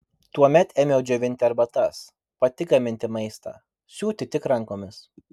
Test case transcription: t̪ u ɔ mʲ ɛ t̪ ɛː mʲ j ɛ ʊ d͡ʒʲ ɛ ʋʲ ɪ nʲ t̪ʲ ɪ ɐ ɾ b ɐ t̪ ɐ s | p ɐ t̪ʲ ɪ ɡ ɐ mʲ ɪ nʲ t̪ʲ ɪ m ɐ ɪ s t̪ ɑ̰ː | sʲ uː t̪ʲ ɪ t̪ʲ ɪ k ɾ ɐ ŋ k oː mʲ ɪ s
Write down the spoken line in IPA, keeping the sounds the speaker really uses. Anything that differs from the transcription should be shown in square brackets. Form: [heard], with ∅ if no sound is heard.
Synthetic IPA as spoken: t̪ u ɔ mʲ ɛ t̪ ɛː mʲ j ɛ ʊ d͡ʒʲ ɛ ʋʲ ɪ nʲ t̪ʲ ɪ ɐ ɾ b ɐ t̪ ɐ s | p ɐ t̪ʲ ɪ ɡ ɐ mʲ ɪ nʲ t̪ʲ ɪ m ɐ ɪ s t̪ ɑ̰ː | sʲ uː t̪ʲ ɪ t̪ʲ ɪ k ɾ ɐ ŋ k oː mʲ ɪ s